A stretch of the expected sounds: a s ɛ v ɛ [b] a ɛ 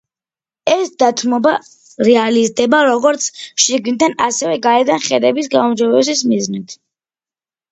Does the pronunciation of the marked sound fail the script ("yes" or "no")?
yes